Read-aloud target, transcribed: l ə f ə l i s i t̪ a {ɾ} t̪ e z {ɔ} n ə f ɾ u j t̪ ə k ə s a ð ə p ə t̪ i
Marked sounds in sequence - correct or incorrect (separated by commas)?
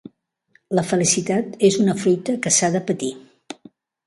incorrect, incorrect